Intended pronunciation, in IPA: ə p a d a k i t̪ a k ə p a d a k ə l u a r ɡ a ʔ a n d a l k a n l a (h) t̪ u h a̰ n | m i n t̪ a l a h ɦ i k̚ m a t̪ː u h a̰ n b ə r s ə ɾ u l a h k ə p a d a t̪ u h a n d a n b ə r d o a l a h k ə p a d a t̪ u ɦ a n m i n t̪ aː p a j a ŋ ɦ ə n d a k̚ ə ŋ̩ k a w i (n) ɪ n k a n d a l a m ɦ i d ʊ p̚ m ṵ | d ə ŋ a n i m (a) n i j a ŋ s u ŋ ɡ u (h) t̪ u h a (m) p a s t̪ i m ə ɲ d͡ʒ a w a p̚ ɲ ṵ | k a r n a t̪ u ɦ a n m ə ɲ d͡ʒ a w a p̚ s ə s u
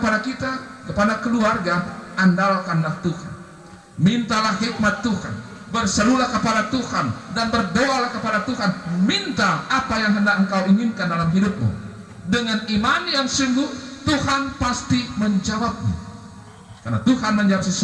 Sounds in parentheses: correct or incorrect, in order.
correct, incorrect: ŋ, correct, correct, incorrect: n

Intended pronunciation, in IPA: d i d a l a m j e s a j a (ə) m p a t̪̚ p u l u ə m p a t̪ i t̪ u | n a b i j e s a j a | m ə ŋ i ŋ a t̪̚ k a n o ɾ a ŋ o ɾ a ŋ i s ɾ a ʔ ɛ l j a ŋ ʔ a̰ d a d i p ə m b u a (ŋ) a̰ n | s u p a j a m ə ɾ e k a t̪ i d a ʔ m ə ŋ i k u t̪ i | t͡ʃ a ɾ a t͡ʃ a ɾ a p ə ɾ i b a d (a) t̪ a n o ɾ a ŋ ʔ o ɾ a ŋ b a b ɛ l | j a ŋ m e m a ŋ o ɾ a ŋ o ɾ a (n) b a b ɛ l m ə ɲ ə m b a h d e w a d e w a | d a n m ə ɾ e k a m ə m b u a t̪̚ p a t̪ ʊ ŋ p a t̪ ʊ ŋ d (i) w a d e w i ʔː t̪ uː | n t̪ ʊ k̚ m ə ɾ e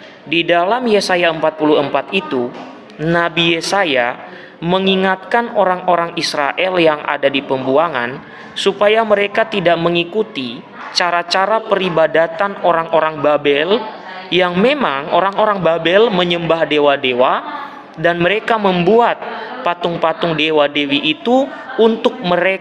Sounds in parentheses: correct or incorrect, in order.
correct, correct, correct, incorrect: ŋ, incorrect: e

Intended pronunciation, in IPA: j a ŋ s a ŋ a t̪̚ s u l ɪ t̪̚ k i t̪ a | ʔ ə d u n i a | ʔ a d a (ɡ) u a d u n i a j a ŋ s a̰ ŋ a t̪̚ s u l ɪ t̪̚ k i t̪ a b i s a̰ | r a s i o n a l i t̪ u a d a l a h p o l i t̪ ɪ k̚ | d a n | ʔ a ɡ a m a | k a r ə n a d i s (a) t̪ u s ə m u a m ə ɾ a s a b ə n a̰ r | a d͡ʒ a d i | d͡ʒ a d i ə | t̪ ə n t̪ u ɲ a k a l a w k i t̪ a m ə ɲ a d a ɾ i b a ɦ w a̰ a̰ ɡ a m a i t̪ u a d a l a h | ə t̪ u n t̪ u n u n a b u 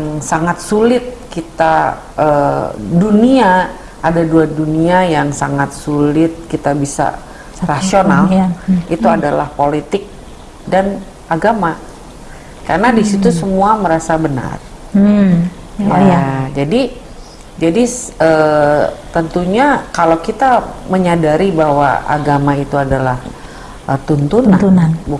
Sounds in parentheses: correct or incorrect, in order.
incorrect: d, incorrect: i

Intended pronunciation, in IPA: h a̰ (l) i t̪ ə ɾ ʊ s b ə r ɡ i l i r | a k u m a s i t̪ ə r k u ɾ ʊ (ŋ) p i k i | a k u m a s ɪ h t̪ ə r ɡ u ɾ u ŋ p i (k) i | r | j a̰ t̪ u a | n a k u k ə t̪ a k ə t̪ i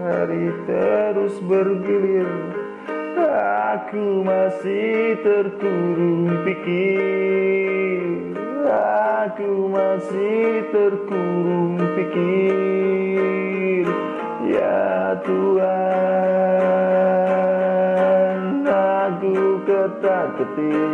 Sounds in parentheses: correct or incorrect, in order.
incorrect: ɾ, correct, correct

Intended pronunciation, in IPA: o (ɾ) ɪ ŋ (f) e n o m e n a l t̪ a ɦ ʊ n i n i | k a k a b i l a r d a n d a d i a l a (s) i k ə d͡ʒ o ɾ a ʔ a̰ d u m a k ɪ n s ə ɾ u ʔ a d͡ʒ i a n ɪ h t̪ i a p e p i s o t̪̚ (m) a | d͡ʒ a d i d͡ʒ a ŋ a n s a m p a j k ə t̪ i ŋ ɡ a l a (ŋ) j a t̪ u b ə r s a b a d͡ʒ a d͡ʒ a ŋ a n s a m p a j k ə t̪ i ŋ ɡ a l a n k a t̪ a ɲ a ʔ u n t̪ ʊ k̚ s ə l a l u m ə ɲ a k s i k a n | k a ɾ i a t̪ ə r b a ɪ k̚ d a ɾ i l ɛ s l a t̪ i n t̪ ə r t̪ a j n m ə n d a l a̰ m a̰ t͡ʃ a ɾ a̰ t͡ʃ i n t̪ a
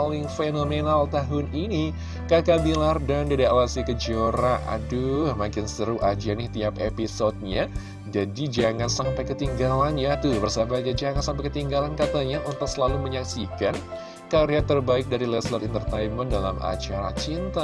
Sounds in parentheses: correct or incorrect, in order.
incorrect: l, correct, correct, incorrect: ɲ, incorrect: n

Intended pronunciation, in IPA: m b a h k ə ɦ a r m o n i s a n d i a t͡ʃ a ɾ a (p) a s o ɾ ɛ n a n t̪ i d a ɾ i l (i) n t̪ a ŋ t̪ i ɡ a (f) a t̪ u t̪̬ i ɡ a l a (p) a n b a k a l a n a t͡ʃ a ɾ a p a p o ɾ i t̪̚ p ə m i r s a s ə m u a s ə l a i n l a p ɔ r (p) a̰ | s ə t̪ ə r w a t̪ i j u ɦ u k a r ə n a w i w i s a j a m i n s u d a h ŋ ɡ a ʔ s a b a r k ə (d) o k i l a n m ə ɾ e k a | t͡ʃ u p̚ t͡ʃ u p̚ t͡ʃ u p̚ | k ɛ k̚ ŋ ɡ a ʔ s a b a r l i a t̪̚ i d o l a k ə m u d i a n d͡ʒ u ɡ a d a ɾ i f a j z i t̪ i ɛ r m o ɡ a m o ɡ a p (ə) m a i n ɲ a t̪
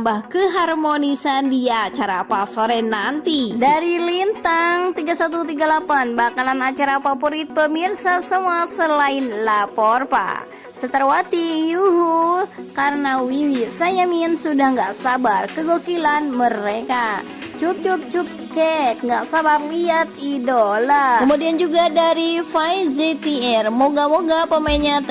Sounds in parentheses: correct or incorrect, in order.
correct, correct, incorrect: s, correct, correct, incorrect: ɡ, correct

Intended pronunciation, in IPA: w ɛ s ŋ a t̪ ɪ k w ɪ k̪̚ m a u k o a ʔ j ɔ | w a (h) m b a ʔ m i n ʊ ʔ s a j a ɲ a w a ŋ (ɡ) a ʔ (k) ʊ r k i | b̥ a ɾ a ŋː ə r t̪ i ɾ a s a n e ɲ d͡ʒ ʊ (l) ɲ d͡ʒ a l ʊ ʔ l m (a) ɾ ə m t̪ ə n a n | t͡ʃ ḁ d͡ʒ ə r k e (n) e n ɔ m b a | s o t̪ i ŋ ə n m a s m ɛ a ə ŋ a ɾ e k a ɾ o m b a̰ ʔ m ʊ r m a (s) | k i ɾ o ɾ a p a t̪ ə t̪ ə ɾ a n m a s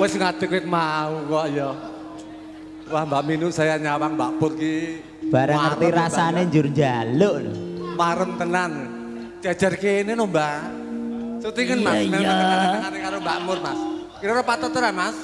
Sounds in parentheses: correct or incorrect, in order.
correct, incorrect: b, incorrect: p, incorrect: r, correct, correct, correct

